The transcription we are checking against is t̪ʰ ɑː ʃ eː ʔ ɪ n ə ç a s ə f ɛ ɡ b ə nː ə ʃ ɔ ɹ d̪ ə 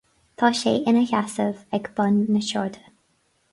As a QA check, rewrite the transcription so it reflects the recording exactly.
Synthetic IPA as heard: t̪ʰ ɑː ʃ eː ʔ ɪ n ə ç a s ə v ɛ ɡ b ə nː ə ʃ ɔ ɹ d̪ ə